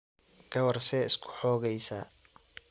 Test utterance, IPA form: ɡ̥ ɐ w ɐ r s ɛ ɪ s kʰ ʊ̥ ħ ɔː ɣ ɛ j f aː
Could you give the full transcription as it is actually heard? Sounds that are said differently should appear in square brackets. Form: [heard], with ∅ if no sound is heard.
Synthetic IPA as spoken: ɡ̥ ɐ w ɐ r s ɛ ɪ s kʰ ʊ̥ ħ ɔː ɣ ɛ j [s] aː